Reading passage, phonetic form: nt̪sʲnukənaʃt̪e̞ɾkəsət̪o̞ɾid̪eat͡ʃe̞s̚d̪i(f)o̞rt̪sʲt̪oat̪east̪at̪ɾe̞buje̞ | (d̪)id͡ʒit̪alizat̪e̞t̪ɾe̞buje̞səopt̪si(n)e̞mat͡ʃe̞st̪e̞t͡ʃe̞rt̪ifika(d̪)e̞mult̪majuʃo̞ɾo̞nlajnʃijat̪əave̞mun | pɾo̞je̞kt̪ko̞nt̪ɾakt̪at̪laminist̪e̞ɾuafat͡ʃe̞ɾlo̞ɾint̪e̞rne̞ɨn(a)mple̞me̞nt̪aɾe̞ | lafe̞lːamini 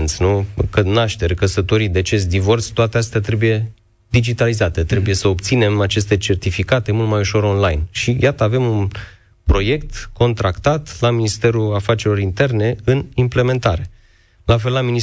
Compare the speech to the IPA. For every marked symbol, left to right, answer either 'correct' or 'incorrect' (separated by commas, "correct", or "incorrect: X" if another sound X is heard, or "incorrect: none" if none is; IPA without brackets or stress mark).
incorrect: v, correct, correct, incorrect: t̪, incorrect: i